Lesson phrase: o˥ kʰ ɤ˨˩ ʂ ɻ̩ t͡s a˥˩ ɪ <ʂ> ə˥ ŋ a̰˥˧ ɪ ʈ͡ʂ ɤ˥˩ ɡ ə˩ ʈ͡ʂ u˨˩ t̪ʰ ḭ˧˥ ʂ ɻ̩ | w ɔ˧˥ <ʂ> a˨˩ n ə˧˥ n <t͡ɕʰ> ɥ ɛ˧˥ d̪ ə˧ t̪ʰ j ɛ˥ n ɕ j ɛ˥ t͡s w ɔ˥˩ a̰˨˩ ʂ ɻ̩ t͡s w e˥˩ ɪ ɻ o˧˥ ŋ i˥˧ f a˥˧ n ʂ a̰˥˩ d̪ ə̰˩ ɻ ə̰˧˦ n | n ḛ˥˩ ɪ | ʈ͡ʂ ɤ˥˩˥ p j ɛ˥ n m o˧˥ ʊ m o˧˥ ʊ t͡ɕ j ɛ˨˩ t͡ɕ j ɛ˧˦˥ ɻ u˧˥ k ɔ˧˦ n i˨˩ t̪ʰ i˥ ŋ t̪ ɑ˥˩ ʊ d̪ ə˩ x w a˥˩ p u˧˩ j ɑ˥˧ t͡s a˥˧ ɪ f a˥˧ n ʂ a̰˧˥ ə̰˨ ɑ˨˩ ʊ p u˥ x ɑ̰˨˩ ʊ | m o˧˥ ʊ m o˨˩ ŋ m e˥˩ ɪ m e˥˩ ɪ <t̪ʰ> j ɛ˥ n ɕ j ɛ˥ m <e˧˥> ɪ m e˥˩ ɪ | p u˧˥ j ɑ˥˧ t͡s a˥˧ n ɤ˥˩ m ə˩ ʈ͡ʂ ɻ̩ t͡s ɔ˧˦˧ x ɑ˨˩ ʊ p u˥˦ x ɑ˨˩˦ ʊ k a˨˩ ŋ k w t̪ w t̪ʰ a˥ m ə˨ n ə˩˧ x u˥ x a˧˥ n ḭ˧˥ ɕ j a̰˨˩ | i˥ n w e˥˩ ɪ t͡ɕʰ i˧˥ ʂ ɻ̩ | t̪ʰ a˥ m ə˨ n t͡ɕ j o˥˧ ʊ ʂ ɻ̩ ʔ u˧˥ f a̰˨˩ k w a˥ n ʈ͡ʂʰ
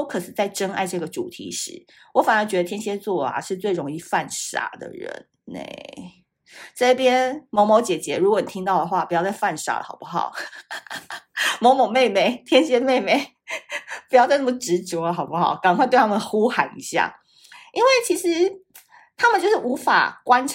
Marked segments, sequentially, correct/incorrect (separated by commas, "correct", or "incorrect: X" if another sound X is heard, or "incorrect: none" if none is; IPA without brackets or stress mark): incorrect: ʈ͡ʂ, incorrect: f, incorrect: t͡ɕ, correct, incorrect: e˥˩